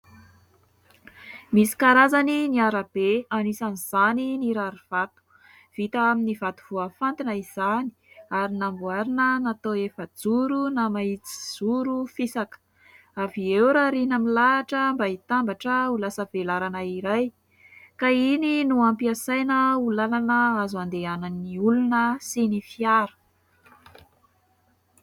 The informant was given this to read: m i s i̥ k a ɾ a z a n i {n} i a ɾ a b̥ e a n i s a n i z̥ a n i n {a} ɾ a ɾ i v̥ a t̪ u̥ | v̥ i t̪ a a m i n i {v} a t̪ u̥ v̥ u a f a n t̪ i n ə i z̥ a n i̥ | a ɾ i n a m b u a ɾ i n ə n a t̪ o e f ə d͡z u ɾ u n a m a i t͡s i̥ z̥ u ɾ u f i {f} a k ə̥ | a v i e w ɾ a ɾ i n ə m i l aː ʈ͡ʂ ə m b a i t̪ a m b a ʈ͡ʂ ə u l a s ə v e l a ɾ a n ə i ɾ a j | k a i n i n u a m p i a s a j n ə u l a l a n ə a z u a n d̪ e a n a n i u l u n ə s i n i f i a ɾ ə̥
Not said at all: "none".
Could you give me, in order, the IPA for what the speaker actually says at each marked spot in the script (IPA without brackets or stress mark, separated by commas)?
n, i, v, s